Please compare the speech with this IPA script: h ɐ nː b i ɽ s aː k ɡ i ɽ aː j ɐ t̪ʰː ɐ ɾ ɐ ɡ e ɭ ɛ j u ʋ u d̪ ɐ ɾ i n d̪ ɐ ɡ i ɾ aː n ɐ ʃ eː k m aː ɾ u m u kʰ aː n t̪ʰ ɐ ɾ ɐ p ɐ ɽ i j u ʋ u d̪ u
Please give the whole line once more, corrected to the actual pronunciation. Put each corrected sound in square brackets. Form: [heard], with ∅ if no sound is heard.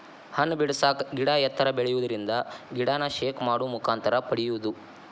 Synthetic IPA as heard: h ɐ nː b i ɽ s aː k ɡ i ɽ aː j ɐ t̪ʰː ɐ ɾ ɐ [b] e ɭ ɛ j u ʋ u d̪ ɐ ɾ i n d̪ ɐ ɡ i [ɽ] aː n ɐ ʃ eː k m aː [ɽ] u m u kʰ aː n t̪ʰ ɐ ɾ ɐ p ɐ ɽ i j u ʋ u d̪ u